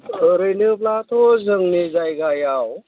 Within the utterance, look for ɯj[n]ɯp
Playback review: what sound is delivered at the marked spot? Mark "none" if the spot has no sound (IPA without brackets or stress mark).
n